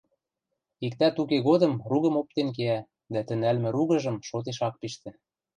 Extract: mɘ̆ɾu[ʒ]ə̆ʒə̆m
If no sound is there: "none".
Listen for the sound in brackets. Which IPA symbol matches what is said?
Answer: ɣ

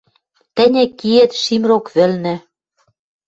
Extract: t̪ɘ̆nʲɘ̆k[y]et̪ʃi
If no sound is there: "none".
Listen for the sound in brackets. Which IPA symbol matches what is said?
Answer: i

